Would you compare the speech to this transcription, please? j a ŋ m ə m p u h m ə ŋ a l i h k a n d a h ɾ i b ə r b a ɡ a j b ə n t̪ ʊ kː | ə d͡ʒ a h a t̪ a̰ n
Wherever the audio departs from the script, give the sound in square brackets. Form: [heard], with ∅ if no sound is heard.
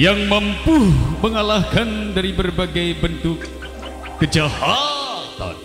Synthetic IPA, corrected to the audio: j a ŋ m ə m p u h m ə ŋ a l [a] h k a n d a [∅] ɾ i b ə r b a ɡ a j b ə n t̪ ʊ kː | ə d͡ʒ a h a t̪ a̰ n